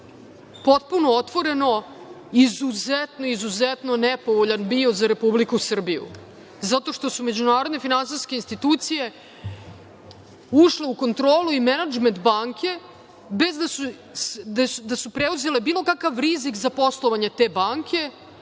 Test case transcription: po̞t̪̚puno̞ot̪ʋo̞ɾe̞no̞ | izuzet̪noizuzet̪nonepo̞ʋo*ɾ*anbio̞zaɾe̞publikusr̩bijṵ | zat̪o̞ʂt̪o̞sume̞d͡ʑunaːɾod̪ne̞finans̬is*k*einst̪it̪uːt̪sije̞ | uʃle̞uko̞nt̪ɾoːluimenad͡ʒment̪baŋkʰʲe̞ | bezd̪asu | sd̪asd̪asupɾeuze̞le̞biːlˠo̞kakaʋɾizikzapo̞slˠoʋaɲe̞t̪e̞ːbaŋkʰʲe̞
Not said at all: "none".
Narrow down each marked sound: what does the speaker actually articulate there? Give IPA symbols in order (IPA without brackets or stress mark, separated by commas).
ʎ, k